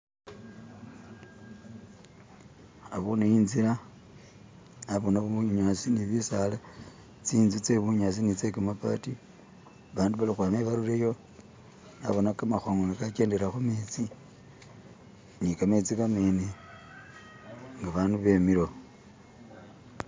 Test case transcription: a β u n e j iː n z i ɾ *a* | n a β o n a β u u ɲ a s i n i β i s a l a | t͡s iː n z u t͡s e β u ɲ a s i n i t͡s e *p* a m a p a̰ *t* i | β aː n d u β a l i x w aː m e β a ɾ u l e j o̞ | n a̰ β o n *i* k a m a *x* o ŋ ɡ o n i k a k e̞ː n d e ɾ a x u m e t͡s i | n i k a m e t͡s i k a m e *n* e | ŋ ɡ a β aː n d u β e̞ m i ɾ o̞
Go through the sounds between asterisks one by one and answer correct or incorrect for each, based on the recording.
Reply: correct, incorrect: k, correct, incorrect: a, correct, correct

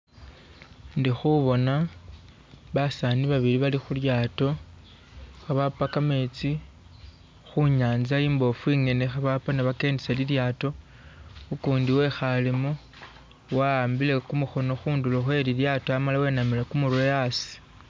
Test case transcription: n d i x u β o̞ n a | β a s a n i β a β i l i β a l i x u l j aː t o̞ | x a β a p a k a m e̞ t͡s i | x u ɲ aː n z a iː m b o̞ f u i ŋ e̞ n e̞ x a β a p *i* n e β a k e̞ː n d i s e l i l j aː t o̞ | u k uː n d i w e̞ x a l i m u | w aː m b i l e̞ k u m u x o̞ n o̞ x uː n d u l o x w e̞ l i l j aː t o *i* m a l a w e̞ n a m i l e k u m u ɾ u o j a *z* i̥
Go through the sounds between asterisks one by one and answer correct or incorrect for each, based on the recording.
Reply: incorrect: a, incorrect: a, incorrect: s

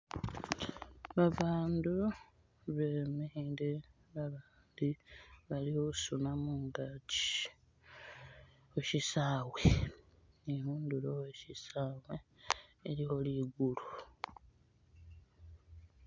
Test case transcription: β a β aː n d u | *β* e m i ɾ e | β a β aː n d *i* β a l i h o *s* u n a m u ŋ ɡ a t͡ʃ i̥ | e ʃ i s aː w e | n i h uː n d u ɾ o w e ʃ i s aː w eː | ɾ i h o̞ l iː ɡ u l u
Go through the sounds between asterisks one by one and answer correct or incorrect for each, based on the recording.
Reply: correct, correct, correct

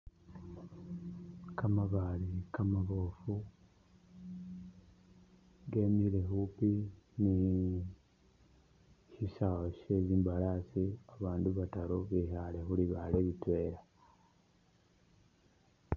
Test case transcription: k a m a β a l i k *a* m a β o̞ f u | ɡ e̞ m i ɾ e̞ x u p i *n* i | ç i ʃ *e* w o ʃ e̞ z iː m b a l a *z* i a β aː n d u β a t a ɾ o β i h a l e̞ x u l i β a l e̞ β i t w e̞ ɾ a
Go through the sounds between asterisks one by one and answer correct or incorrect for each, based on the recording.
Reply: correct, correct, incorrect: a, incorrect: s

